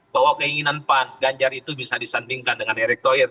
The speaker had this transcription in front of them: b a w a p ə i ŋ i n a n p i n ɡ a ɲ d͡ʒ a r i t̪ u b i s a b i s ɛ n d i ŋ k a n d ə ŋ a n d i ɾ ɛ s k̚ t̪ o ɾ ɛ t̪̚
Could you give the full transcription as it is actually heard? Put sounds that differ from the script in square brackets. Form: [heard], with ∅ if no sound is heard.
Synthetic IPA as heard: b a w a [k] ə i ŋ i n a n p [a] n ɡ a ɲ d͡ʒ a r i t̪ u b i s a [d] i s [a] n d i ŋ k a n d ə ŋ a n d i ɾ ɛ [∅] k̚ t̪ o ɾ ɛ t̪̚

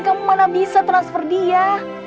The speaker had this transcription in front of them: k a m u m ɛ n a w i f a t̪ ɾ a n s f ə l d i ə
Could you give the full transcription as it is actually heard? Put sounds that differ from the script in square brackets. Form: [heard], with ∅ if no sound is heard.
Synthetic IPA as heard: k a m u m [a] n a [b] i [s] a t̪ ɾ a n s f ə [r] d i [a]

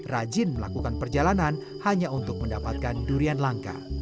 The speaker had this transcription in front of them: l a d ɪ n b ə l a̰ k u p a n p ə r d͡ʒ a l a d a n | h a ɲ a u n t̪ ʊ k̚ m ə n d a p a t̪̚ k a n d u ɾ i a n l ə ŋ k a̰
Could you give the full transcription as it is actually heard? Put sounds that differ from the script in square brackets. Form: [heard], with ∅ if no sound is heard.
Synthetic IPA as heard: [r] a [d͡ʒ] ɪ n [m] ə l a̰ k u [k] a n p ə r d͡ʒ a l a [n] a n | h a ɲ a u n t̪ ʊ k̚ m ə n d a p a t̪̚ k a n d u ɾ i a n l [a] ŋ k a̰

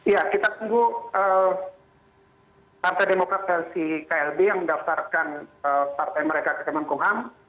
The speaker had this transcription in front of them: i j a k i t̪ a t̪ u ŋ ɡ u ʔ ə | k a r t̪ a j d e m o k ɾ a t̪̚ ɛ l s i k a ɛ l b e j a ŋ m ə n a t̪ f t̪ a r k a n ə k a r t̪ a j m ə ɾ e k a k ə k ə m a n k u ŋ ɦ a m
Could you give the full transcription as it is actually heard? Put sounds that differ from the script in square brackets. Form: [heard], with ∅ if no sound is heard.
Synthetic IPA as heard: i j a k i t̪ a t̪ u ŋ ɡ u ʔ ə | [p] a r t̪ a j d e m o k ɾ a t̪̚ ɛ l s i k a ɛ l b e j a ŋ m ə [d] a [∅] f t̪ a r k a n ə [p] a r t̪ a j m ə ɾ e k a k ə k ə m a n k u ŋ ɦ a m

